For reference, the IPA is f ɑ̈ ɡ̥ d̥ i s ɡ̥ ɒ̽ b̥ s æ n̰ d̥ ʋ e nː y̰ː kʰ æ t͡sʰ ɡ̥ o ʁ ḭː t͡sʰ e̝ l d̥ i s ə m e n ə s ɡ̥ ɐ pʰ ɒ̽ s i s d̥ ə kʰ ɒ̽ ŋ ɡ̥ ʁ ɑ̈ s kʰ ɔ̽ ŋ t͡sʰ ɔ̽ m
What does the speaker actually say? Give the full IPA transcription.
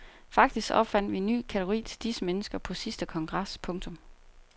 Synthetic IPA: f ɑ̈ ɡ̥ d̥ i s ɡ̥ ɒ̽ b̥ f æ n̰ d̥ ʋ i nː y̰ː kʰ æ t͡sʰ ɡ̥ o ʁ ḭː t͡sʰ e̝ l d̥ i s ə m e n ə s ɡ̥ ɐ pʰ ɒ̽ s i s d̥ ə kʰ ɒ̽ ŋ ɡ̥ ʁ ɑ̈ s pʰ ɔ̽ ŋ t͡sʰ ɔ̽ m